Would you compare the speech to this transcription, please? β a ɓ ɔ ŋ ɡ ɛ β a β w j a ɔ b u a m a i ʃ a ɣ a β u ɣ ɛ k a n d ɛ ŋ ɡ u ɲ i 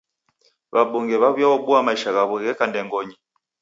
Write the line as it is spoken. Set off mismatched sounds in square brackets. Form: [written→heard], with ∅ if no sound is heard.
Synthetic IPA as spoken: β a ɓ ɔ ŋ ɡ ɛ β a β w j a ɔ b u a m a i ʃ a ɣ a β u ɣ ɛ k a n d ɛ ŋ ɡ [u→ɔ] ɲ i